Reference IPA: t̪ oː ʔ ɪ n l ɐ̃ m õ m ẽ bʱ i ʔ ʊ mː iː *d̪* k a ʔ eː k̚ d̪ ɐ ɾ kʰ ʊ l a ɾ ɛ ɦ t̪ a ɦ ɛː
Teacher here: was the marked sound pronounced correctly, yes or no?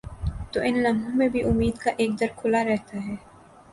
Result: yes